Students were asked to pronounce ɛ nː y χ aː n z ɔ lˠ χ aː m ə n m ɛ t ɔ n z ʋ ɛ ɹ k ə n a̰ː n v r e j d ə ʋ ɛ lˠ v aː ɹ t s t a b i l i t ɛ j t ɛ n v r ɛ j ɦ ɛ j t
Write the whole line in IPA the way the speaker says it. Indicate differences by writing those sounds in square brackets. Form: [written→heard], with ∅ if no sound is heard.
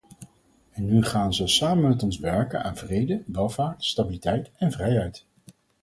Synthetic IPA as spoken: ɛ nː y χ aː n z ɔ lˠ [χ→s] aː m ə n m ɛ t ɔ n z ʋ ɛ ɹ k ə n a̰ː n v r e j d ə ʋ ɛ lˠ v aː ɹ t s t a b i l i t ɛ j t ɛ n v r ɛ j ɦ ɛ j t